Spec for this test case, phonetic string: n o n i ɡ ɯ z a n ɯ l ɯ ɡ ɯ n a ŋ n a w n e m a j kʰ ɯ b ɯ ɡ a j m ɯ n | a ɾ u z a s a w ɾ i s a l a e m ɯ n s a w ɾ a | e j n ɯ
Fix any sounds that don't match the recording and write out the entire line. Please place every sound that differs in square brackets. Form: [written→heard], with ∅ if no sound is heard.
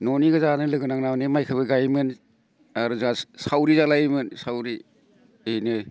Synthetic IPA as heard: n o n i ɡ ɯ z a n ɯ l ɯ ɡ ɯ n a ŋ n a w n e m a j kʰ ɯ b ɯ ɡ a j m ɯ n | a ɾ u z a s a w ɾ i [s→z] a l a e m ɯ n s a w ɾ [a→i] | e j n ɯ